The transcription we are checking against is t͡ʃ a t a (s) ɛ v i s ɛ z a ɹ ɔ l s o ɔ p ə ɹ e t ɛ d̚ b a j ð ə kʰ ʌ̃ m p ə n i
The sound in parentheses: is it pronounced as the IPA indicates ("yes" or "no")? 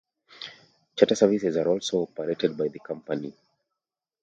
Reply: yes